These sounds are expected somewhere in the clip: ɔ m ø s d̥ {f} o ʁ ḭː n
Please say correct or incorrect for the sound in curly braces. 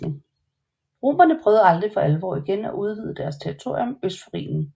correct